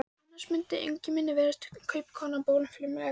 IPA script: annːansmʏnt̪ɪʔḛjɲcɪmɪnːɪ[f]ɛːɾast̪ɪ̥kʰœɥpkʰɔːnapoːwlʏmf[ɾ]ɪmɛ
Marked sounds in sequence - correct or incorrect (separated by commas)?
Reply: incorrect, incorrect